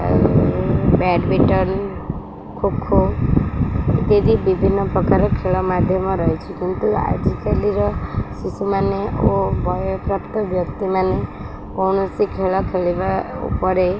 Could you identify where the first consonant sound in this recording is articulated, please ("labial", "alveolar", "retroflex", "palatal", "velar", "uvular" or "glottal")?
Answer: labial